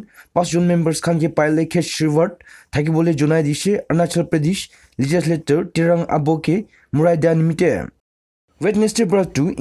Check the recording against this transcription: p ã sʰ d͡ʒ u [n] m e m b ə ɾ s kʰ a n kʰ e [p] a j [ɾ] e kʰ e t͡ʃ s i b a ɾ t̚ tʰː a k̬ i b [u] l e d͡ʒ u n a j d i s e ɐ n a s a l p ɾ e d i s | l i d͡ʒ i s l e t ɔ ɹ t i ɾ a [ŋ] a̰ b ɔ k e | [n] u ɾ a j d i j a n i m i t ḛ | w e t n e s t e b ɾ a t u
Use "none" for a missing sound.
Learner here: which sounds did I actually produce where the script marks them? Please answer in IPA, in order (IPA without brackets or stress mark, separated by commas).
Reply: n, p, l, ɔ, ŋ, m